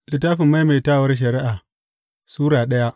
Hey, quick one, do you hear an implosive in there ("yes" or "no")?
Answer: yes